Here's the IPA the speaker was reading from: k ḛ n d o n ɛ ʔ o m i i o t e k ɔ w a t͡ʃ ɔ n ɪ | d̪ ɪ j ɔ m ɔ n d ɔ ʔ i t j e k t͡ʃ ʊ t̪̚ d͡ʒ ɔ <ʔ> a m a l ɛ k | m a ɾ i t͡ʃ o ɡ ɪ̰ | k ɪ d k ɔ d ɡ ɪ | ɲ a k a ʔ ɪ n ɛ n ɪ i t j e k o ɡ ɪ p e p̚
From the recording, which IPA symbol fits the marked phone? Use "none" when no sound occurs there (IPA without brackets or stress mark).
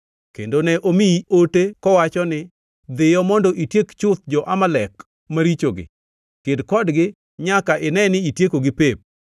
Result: ʔ